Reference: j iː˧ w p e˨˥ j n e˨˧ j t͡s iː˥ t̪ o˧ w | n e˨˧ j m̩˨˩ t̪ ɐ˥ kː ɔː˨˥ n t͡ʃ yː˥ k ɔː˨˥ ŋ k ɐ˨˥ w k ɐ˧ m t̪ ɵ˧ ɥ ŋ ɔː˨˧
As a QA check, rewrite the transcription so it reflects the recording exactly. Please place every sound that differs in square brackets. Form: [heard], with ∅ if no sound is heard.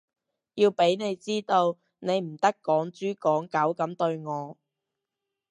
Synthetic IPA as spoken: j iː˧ w p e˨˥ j n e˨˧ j t͡s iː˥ t̪ o˧ w | n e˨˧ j m̩˨˩ t̪ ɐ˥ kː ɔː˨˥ [ŋ] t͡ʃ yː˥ k ɔː˨˥ ŋ k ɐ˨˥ w k [ɐ˨˥] m t̪ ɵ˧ ɥ ŋ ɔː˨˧